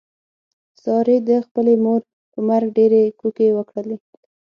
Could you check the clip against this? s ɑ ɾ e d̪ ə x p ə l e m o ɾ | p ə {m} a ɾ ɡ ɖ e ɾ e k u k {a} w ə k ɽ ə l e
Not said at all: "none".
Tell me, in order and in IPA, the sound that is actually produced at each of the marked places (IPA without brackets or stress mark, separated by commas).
m, e